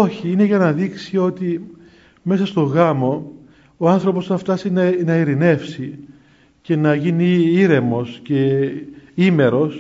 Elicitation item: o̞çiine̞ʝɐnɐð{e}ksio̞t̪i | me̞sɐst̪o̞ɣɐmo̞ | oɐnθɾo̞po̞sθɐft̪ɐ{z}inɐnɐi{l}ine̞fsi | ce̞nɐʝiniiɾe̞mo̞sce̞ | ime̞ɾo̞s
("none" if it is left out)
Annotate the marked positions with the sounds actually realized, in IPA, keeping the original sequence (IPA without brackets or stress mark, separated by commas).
i, s, ɾ